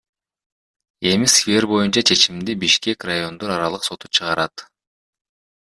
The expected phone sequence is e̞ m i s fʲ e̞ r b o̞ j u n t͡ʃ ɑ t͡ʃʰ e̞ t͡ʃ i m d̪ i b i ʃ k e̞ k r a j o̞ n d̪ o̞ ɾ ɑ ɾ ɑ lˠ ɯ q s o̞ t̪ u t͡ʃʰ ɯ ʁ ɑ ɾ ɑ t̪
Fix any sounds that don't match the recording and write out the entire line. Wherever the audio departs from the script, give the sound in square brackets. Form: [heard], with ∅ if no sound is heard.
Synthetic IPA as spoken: e̞ m i s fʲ e̞ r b o̞ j u n t͡ʃ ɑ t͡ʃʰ e̞ t͡ʃ i m d̪ i b i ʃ k e̞ k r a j o̞ n d̪ o̞ ɾ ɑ ɾ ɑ lˠ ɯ q s o̞ t̪ u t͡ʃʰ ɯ ʁ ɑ ɾ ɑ t̪